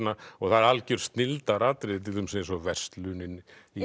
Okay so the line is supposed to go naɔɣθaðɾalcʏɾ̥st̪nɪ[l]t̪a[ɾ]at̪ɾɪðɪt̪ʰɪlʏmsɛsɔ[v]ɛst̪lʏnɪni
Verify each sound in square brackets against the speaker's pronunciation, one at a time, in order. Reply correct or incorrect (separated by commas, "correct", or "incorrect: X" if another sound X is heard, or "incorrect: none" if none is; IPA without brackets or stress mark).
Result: correct, correct, correct